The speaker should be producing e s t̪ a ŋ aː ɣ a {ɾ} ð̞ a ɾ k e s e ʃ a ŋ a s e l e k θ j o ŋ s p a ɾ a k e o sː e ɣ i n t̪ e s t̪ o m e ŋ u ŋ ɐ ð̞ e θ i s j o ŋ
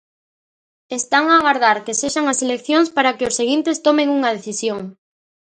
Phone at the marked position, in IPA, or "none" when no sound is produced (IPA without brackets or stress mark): ɾ